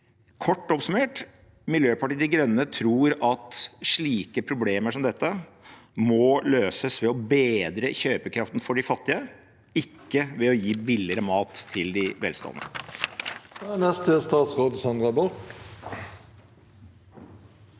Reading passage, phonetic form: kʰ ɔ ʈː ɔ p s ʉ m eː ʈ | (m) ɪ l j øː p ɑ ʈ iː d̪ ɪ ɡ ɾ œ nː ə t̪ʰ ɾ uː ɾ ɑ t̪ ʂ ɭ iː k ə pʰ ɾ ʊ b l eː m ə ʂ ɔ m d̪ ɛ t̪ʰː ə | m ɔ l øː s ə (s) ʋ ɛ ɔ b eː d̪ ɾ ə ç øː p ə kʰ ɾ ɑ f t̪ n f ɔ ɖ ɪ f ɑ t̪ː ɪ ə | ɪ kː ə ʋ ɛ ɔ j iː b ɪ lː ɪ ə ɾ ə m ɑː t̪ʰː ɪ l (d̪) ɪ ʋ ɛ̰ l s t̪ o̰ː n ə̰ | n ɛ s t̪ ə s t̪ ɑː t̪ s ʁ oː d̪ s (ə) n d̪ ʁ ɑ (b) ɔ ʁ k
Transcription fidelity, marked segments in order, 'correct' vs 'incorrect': correct, correct, correct, incorrect: ɑ, correct

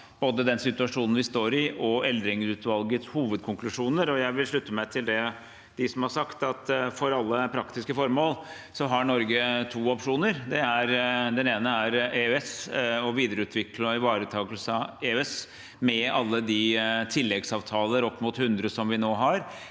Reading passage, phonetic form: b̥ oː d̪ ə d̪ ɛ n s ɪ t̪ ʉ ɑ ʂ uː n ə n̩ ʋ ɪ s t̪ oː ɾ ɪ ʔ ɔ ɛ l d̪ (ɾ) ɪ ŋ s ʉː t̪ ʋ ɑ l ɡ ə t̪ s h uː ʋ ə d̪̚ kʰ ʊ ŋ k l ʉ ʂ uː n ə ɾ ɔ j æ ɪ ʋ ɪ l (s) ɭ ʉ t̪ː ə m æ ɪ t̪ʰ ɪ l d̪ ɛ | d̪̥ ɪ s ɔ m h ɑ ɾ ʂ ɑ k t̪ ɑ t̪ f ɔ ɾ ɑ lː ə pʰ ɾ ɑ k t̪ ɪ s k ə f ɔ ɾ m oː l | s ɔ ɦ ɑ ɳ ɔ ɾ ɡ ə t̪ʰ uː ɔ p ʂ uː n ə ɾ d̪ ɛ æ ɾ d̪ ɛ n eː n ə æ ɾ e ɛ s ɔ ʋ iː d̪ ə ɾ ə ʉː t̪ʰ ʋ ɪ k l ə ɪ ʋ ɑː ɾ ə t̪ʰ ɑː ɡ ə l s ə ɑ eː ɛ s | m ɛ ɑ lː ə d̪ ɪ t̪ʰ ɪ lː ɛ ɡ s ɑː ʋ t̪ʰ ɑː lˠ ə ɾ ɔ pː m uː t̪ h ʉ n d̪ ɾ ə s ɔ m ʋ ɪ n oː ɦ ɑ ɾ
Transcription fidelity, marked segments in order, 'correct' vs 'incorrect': correct, incorrect: ʂ

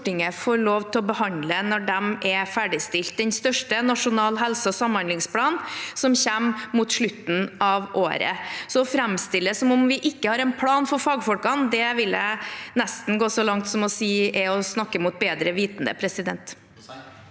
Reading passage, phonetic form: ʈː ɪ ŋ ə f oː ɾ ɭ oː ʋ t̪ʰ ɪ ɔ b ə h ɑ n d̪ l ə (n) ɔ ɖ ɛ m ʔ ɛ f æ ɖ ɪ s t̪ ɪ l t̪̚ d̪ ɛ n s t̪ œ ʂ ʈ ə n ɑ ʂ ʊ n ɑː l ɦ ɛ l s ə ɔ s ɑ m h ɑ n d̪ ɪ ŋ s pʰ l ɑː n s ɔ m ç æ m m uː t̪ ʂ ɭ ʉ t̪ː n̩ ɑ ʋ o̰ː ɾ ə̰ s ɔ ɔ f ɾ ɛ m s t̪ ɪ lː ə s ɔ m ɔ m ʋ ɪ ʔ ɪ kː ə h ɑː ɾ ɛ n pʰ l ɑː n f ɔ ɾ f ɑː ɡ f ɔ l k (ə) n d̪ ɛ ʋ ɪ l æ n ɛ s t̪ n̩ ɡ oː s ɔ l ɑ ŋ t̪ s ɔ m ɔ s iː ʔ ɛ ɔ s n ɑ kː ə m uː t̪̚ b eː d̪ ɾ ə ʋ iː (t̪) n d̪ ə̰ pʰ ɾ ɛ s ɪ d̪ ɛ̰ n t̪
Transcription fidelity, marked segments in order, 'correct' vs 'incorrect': correct, incorrect: ɑ, correct

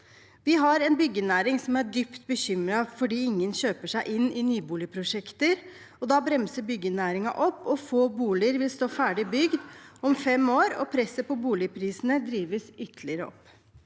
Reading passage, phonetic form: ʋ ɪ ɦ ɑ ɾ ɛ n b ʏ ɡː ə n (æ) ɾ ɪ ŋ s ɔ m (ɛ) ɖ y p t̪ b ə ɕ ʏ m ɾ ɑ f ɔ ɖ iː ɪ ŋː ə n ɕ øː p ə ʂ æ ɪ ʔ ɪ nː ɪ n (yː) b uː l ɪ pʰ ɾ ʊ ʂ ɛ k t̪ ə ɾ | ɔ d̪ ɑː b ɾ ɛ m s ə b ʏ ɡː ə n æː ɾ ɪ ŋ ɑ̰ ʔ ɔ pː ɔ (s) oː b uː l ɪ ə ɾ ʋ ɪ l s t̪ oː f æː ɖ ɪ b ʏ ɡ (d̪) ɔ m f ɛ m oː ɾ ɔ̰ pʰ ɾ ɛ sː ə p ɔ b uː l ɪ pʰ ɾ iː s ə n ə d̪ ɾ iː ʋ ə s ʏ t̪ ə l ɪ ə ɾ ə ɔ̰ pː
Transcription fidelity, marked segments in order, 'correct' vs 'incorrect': incorrect: æː, incorrect: æ, correct, incorrect: f, correct

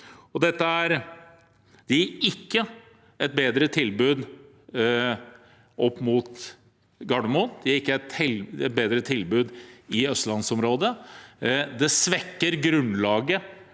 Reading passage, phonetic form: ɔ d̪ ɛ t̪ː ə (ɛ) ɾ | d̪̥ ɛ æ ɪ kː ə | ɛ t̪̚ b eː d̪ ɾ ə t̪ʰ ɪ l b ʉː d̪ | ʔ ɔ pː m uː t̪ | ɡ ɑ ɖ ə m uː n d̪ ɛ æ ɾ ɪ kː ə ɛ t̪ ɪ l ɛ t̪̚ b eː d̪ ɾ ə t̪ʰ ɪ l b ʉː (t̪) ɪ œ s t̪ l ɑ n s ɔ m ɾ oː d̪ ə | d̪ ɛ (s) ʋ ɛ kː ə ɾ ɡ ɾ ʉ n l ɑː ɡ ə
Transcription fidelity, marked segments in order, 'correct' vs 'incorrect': incorrect: æ, incorrect: d̪, correct

